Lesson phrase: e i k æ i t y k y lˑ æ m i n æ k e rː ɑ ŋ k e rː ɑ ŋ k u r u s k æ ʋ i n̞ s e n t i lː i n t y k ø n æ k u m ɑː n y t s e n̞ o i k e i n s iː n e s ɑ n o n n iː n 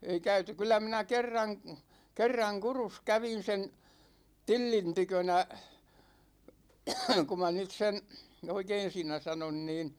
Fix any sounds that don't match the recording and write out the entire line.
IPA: e i k æ y t y k y lˑ æ m i n æ k e rː ɑ ŋ k e rː ɑ ŋ k u r u s k æ ʋ i n̞ s e n t i lː i n t y k ø n æ k u m ɑ n y t s e n̞ o i k e i n s iː n æ s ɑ n o n n iː n